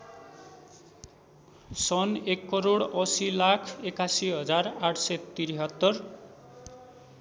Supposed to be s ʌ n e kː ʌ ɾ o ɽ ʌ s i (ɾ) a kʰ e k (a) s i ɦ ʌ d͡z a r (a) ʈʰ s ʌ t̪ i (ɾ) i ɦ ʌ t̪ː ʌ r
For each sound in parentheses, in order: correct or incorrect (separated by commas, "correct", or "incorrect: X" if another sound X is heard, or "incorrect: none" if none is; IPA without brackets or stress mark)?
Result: incorrect: l, correct, correct, correct